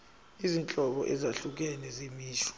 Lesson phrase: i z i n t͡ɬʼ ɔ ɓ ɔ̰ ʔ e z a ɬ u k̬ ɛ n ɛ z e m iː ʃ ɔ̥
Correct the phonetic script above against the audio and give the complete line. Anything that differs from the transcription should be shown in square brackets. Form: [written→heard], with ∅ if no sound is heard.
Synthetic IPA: i z i n t͡ɬʼ ɔ ɓ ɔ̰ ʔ [e→ɛ] z a ɬ u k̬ ɛ n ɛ z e m iː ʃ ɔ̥